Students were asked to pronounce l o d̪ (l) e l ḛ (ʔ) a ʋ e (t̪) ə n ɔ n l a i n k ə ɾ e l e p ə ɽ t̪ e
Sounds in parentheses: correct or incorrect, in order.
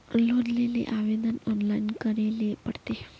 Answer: correct, correct, incorrect: d̪

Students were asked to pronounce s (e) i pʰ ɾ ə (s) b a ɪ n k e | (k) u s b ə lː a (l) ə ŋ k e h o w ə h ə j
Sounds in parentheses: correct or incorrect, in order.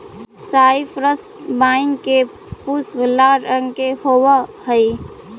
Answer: incorrect: a, correct, incorrect: p, incorrect: ɾ

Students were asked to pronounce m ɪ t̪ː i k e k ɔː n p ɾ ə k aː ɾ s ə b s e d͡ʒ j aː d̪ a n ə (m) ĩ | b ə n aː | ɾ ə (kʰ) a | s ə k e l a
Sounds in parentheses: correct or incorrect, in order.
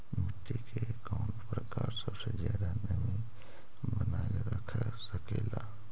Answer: correct, correct

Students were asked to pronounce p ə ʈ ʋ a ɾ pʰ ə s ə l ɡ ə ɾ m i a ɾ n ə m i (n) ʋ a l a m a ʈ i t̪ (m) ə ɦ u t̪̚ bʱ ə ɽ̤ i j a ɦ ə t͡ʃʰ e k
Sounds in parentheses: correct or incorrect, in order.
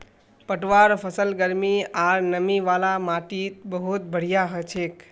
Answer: incorrect: none, incorrect: b

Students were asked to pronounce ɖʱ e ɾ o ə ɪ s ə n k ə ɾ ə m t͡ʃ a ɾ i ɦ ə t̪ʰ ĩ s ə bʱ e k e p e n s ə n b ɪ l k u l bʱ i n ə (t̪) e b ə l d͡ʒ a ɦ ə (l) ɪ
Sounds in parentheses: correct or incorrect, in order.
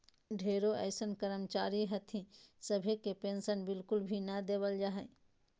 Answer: incorrect: d̪, incorrect: none

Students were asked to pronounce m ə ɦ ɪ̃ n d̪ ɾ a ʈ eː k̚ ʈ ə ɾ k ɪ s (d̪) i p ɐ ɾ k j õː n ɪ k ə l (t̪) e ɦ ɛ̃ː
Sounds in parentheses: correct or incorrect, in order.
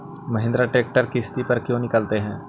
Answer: incorrect: t̪, correct

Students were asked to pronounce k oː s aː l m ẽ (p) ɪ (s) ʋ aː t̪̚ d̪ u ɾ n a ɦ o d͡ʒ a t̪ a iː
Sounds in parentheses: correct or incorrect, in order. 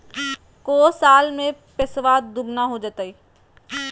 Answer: correct, correct

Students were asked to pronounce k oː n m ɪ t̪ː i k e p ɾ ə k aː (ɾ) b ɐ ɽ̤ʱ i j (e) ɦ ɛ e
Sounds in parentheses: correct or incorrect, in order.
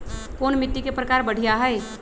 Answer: correct, incorrect: a

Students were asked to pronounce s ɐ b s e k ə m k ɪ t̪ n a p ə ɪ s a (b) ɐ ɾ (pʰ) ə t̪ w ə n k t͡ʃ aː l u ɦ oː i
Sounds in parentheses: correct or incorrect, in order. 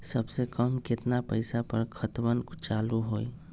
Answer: incorrect: p, incorrect: kʰ

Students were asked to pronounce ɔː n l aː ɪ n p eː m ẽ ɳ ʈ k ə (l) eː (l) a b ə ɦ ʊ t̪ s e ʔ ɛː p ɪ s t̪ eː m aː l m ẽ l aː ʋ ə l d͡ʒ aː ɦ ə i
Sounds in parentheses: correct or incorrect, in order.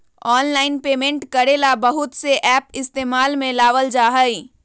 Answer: incorrect: ɾ, correct

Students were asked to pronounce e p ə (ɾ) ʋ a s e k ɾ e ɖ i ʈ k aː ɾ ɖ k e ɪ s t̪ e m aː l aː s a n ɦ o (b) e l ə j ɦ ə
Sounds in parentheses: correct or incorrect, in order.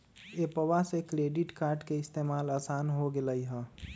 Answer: incorrect: none, incorrect: ɡ

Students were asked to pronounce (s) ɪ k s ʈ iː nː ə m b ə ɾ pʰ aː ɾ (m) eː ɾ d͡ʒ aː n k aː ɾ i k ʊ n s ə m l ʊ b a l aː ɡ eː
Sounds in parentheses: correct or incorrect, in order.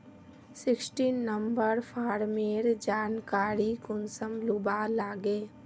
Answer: correct, correct

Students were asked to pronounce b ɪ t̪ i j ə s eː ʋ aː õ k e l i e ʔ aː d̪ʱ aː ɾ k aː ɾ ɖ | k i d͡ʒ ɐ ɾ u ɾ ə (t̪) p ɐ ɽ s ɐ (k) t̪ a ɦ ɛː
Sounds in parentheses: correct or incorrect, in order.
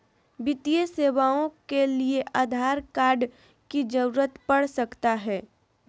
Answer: correct, correct

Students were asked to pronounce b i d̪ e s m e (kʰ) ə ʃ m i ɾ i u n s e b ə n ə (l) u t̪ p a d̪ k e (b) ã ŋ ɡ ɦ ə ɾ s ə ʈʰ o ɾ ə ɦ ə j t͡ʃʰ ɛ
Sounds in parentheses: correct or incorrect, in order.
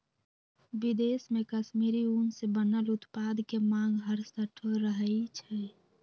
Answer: incorrect: k, correct, incorrect: m

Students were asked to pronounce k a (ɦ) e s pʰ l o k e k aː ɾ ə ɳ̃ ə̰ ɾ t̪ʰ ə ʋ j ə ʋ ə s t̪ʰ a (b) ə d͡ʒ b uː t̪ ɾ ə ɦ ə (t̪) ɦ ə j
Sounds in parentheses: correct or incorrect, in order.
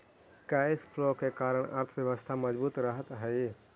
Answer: incorrect: none, incorrect: m, correct

